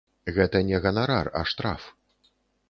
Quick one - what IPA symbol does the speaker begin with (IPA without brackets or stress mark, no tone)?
ɣ